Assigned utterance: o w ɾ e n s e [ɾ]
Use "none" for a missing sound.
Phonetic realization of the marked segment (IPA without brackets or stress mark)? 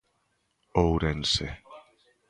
none